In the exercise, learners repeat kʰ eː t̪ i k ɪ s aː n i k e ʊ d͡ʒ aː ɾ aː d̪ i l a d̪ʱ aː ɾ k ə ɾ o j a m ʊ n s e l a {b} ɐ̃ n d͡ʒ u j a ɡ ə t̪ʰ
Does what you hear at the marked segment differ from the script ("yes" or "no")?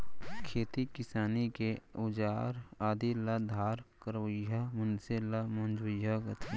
yes